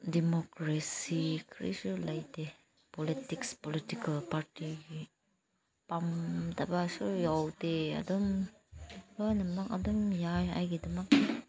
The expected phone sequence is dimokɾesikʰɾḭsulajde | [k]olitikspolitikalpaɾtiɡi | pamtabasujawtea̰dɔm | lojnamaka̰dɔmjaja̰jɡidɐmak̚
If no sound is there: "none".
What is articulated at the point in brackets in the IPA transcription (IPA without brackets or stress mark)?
p